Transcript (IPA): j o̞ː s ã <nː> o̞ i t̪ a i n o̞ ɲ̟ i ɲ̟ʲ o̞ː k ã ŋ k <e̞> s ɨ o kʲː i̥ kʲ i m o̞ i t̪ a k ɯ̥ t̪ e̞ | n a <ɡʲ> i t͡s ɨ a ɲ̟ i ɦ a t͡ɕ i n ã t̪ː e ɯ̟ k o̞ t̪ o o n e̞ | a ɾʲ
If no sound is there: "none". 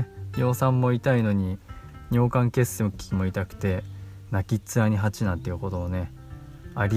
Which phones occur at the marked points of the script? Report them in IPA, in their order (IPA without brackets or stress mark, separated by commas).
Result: mː, e̞, kʲ